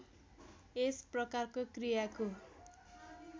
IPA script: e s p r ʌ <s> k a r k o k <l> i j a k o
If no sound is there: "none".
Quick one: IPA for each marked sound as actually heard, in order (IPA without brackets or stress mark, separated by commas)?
none, r